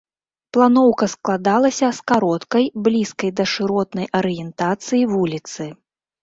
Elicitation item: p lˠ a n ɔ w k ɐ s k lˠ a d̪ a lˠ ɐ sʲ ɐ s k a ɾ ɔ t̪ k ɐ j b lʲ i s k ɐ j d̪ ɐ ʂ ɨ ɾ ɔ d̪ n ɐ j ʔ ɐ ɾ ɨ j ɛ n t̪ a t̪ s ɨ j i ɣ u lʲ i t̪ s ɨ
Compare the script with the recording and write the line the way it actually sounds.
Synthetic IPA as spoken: p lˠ a n ɔ w k ɐ s k lˠ a d̪ a lˠ ɐ sʲ ɐ s k a ɾ ɔ t̪ k ɐ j b lʲ i s k ɐ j d̪ ɐ ʂ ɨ ɾ ɔ t̪ n ɐ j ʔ ɐ ɾ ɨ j ɛ n t̪ a t̪ s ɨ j i v u lʲ i t̪ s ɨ